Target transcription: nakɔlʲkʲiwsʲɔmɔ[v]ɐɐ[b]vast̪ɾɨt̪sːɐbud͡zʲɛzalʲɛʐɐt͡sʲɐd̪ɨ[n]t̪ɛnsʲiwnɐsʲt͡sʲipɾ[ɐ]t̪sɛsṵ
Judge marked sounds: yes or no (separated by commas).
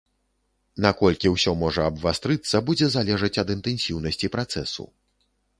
no, yes, yes, no